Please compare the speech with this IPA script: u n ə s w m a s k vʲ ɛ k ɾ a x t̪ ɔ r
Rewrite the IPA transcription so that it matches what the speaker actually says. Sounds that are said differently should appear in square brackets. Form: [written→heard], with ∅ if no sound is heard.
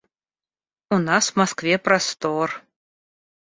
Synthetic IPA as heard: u n [ə→a] s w m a s k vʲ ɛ [k→p] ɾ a [x→s] t̪ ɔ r